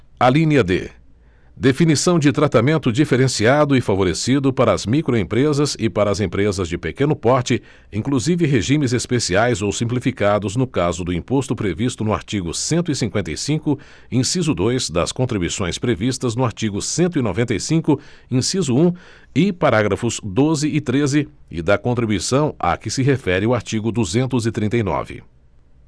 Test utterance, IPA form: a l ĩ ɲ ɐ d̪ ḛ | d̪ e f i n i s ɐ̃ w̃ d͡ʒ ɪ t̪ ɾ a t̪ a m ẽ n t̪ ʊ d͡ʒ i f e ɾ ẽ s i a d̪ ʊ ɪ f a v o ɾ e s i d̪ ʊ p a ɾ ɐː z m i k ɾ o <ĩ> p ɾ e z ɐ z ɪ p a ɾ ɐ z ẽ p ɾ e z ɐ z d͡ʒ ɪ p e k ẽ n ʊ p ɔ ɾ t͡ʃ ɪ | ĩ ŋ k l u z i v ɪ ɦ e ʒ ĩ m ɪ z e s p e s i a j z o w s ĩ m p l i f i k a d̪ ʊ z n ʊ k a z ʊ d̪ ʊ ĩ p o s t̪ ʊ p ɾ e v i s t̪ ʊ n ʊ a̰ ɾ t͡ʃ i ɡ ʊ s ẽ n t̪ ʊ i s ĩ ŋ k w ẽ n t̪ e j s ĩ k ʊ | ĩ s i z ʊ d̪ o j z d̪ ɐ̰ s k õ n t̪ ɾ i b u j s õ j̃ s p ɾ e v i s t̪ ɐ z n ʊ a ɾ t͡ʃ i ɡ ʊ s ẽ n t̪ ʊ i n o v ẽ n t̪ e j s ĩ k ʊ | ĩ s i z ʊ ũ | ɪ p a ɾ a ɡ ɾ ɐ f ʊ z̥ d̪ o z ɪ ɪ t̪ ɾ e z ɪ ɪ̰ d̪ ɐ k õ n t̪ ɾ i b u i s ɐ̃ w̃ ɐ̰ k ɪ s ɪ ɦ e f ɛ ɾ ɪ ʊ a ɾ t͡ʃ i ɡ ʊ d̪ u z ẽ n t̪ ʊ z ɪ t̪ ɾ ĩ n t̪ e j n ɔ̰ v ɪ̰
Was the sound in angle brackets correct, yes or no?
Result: no